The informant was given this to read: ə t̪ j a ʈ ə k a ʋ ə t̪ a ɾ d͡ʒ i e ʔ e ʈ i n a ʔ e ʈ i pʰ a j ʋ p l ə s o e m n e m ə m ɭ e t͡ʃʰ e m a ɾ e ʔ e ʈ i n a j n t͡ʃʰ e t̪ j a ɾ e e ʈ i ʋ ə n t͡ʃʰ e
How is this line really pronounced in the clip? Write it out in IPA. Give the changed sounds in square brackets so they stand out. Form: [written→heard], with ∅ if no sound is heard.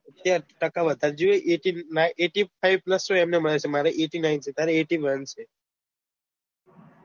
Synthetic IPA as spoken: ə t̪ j a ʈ ə k a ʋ ə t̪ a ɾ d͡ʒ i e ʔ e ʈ i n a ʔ e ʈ i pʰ a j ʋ p l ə s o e m n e m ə [m→∅] ɭ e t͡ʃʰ e m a ɾ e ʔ e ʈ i n a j n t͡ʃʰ e t̪ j a ɾ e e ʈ i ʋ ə n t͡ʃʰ e